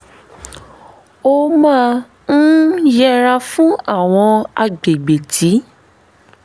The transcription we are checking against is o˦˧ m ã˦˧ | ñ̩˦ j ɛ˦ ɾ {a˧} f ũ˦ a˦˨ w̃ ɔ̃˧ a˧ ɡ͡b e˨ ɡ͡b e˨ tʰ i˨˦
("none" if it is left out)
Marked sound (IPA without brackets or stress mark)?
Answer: a˧